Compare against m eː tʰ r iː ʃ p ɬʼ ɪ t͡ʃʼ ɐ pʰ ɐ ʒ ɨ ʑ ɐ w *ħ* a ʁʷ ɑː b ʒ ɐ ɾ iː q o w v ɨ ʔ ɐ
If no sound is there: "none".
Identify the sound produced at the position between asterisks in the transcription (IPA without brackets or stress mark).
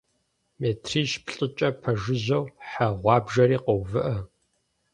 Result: ħ